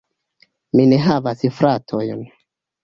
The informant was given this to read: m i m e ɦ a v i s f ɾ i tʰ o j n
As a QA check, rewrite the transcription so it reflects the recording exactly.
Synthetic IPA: m i n e ɦ a v a s f ɾ a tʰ o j n